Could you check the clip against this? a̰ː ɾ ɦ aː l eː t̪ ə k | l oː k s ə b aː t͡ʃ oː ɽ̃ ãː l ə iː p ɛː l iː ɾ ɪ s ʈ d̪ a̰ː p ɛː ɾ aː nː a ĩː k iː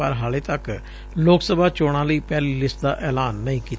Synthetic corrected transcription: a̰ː ɾ ɦ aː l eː t̪ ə k | l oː k s ə b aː t͡ʃ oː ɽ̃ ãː l ə iː p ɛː l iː l ɪ s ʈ d̪ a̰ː ʔ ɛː l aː nː ə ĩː k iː

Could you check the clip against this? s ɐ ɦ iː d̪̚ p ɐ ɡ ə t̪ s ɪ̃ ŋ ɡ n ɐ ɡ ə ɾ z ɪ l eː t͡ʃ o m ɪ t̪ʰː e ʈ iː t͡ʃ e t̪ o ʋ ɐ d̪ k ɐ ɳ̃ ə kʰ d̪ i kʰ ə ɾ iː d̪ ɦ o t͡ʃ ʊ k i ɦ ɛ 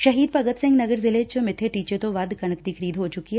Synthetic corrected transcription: ʃ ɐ ɦ iː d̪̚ p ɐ ɡ ə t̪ s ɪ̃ ŋ ɡ n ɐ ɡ ə ɾ z ɪ l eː t͡ʃ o m ɪ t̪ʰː e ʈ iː t͡ʃ e t̪ o ʋ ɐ d̪ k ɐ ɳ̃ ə k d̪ i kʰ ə ɾ iː d̪ ɦ o t͡ʃ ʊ k i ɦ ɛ

